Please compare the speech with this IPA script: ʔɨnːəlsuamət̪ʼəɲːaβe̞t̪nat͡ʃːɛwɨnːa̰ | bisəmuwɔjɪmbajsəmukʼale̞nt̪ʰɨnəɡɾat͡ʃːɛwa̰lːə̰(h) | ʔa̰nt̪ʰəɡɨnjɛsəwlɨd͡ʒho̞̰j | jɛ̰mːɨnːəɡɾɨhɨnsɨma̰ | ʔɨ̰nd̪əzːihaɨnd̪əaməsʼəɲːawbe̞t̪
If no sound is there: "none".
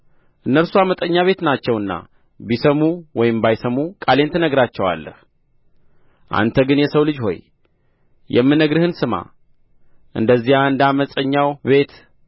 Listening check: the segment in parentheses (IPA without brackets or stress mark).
h